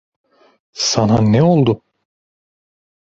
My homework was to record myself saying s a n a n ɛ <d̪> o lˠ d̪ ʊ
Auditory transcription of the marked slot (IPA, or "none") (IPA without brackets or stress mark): none